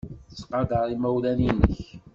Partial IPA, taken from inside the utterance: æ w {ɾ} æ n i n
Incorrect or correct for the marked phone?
incorrect: l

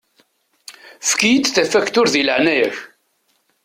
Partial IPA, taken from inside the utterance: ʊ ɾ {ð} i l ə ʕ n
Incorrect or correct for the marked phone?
correct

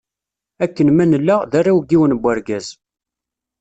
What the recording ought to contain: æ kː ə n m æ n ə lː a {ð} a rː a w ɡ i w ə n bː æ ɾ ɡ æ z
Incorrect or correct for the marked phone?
correct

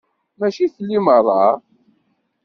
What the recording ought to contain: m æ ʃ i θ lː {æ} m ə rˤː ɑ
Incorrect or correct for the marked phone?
incorrect: i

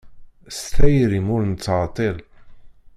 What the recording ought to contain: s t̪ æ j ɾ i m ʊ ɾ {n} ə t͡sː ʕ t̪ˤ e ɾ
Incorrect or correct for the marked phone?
correct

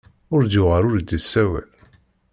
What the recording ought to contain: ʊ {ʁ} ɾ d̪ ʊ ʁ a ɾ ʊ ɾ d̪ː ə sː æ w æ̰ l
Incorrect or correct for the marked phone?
incorrect: none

